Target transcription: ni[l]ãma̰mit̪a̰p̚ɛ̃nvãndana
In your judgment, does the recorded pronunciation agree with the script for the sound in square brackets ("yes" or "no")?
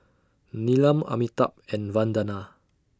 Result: yes